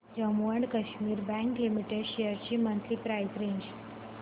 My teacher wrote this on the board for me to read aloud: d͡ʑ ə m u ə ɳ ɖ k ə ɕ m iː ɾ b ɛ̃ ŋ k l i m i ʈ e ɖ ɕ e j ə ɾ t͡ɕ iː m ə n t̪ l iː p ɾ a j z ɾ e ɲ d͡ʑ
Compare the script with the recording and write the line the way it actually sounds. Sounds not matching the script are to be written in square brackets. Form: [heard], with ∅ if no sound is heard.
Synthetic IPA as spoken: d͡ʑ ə m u ə ɳ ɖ k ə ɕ m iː ɾ b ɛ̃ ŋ k l i m i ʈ e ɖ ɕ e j ə ɾ t͡ɕ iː m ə n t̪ l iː p ɾ a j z ɾ e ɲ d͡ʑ